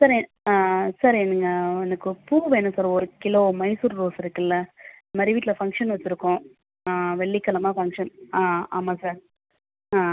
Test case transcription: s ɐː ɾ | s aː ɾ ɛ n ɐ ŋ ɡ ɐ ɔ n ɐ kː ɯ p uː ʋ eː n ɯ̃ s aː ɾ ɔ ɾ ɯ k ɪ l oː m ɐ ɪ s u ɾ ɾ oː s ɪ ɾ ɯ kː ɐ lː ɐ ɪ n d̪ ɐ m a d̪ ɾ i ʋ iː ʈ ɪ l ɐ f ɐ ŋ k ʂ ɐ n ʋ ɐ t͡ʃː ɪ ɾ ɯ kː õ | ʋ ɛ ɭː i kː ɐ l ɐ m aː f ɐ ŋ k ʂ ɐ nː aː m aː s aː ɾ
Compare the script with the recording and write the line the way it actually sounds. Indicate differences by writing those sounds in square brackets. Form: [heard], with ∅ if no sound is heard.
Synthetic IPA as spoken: s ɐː ɾ | s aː ɾ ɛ n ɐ ŋ ɡ ɐ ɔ n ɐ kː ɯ p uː ʋ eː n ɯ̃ s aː ɾ ɔ ɾ ɯ k ɪ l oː m ɐ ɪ s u ɾ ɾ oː s ɪ ɾ ɯ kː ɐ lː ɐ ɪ n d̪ ɐ m a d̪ ɾ i ʋ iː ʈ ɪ l ɐ f ɐ ŋ k ʂ ɐ n ʋ ɐ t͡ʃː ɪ ɾ ɯ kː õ | ʋ ɛ ɭː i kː ɐ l ɐ m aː f ɐ ŋ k ʂ ɐ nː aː m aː s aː ɾ